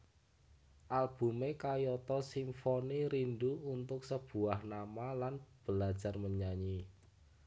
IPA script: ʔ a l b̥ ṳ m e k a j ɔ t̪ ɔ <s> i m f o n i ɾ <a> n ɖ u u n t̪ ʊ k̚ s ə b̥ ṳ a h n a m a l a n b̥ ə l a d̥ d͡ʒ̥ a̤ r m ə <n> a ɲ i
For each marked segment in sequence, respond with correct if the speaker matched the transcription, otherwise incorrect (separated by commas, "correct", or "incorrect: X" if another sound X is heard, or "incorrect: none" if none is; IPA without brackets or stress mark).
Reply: correct, incorrect: i, incorrect: ɲ